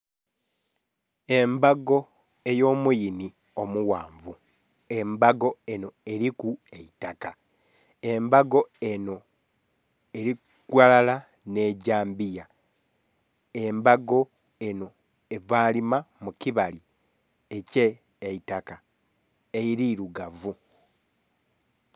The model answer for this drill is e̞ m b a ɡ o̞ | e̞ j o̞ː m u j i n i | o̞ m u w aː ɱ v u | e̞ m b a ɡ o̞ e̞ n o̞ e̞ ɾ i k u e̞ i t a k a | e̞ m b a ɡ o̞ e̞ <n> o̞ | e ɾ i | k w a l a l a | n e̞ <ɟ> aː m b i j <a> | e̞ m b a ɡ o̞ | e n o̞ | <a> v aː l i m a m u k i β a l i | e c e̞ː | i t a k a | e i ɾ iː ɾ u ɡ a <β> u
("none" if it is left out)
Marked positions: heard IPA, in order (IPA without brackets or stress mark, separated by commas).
n, ɟ, a, e, v